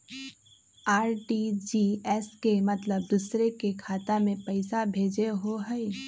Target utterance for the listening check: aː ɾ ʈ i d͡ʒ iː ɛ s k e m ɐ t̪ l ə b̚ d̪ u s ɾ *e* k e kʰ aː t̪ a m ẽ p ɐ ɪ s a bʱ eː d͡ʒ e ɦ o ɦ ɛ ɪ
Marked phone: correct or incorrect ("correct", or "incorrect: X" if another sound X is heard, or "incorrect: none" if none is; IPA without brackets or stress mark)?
correct